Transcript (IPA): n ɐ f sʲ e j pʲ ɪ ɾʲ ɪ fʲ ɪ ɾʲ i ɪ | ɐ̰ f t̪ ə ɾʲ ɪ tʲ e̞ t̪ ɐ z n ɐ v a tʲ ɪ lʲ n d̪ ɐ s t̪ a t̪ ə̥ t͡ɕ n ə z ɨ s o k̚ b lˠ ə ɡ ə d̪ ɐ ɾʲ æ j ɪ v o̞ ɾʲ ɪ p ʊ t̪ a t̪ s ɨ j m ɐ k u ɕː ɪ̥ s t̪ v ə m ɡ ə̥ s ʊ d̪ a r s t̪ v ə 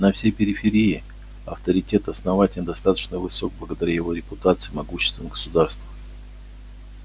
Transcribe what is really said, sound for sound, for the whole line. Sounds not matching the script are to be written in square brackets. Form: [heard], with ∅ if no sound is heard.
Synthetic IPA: n ɐ f sʲ e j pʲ ɪ ɾʲ ɪ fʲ ɪ ɾʲ i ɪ | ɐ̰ f t̪ ə ɾʲ ɪ tʲ e̞ t̪ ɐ [s] n ɐ v a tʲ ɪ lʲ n d̪ ɐ s t̪ a t̪ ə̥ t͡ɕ n ə [v] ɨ s o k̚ b lˠ ə ɡ ə d̪ ɐ ɾʲ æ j ɪ v o̞ ɾʲ ɪ p ʊ t̪ a t̪ s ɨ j m ɐ [ɡ] u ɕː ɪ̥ s t̪ v ə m ɡ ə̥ s ʊ d̪ a r s t̪ v ə